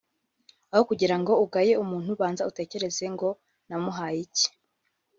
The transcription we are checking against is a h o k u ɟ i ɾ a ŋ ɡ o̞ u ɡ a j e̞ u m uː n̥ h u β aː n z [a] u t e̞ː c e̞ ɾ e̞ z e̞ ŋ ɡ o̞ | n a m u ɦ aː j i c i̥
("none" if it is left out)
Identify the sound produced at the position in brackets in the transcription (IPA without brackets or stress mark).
a